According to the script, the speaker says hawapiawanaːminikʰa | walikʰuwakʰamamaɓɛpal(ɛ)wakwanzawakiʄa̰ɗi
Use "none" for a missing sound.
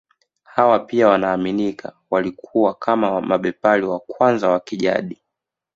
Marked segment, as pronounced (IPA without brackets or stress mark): i